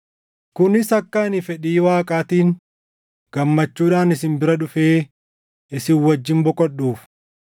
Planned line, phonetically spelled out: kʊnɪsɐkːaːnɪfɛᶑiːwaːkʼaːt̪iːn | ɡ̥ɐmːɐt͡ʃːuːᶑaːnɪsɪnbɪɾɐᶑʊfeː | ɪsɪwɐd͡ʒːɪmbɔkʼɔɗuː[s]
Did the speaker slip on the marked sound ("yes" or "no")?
yes